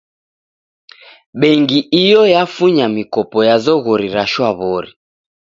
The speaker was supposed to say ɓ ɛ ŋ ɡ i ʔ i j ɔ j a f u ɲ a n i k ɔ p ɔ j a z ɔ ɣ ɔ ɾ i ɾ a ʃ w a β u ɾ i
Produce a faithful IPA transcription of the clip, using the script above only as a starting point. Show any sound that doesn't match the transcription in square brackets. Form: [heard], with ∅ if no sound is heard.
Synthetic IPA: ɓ ɛ ŋ ɡ i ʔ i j ɔ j a f u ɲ a [m] i k ɔ p ɔ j a z ɔ ɣ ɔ ɾ i ɾ a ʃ w a β [ɔ] ɾ i